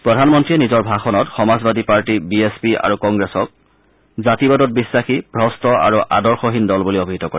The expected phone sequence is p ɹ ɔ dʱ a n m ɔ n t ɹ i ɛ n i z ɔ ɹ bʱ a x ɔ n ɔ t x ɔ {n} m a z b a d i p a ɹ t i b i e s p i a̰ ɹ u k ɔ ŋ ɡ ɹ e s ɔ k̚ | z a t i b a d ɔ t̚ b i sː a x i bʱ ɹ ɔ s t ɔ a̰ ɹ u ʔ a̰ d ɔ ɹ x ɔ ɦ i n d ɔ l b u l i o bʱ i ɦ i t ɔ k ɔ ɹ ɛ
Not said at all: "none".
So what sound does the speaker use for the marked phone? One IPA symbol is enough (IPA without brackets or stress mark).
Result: none